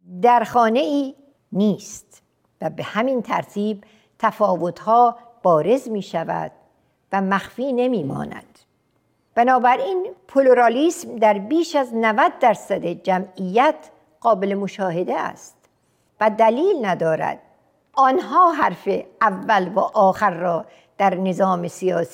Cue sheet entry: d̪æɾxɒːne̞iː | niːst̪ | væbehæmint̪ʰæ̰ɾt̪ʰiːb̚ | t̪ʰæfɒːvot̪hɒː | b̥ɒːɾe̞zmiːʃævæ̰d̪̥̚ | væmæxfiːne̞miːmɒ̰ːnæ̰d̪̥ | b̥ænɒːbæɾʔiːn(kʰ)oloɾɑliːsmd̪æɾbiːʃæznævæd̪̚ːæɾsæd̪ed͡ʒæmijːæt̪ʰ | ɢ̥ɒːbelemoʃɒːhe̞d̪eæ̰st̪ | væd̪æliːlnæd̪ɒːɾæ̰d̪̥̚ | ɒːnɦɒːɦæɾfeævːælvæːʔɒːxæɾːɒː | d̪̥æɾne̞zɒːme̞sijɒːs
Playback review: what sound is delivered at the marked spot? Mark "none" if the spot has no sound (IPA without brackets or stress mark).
pʰ